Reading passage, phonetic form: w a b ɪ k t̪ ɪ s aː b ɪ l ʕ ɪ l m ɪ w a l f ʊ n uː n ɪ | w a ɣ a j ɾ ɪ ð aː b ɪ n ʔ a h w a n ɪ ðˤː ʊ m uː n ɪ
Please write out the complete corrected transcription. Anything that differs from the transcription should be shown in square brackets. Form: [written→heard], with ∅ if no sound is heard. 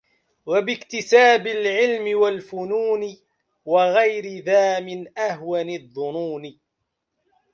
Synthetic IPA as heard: w a b ɪ k t̪ ɪ s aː b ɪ l ʕ ɪ l m ɪ w a l f ʊ n uː n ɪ | w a ɣ a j ɾ ɪ ð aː [b→m] ɪ n ʔ a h w a n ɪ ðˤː ʊ [m→n] uː n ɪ